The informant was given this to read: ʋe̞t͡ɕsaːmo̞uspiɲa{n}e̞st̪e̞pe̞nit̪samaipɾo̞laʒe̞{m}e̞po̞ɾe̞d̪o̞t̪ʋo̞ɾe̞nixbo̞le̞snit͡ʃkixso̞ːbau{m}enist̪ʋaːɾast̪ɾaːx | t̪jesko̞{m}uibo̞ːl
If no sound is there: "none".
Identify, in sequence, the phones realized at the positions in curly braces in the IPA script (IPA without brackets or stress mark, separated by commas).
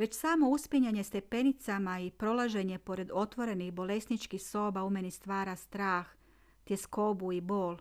ɲ, ɲ, m, b